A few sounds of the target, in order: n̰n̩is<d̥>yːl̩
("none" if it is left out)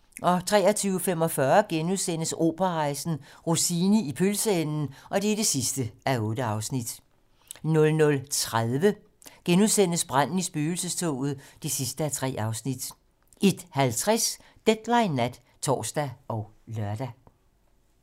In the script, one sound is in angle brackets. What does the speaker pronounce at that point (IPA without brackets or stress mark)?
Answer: b̥